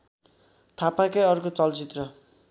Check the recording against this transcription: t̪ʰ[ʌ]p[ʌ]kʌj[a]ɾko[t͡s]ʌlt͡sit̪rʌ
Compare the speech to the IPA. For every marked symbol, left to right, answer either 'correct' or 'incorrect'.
incorrect: a, incorrect: a, incorrect: ʌ, correct

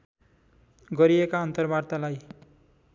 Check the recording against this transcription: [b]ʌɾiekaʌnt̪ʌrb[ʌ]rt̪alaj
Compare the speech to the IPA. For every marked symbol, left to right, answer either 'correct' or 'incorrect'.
incorrect: ɡ, incorrect: a

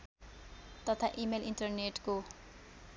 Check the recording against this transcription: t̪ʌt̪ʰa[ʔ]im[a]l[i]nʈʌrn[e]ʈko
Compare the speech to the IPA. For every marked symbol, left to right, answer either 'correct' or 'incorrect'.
correct, incorrect: e, correct, correct

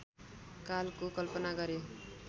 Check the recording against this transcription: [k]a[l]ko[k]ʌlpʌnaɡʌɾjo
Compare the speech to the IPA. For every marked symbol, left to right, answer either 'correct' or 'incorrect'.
correct, correct, correct

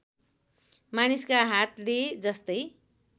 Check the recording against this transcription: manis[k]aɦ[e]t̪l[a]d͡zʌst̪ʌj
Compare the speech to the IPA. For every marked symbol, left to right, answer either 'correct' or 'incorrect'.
correct, incorrect: a, incorrect: e

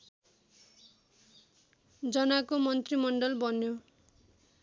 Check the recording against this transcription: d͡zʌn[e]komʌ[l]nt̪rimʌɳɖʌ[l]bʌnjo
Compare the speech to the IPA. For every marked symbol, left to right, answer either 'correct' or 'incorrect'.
incorrect: a, incorrect: none, correct

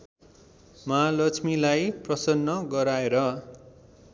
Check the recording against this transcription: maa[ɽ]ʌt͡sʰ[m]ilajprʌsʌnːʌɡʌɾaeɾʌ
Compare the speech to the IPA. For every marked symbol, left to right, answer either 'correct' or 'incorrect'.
incorrect: l, correct

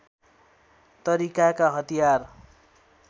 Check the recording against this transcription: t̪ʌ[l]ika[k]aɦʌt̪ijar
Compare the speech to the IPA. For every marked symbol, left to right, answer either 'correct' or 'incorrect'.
incorrect: ɾ, correct

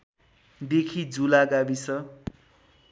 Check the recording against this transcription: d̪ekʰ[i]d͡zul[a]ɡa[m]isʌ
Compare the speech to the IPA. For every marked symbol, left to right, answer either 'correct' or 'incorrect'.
correct, correct, incorrect: b

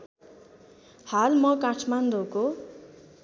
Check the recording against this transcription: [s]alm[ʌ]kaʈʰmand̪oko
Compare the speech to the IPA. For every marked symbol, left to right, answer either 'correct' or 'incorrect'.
incorrect: h, correct

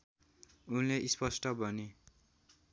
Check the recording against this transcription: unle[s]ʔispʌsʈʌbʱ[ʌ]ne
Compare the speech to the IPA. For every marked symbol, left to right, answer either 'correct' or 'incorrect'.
incorrect: none, correct

